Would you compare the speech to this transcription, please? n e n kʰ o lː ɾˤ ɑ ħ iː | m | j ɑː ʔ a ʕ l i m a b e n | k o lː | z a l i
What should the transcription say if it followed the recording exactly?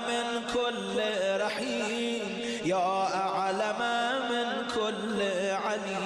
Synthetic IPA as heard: m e n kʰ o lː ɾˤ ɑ ħ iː | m | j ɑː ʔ a ʕ l a m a m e n | kʰ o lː | ʕ a l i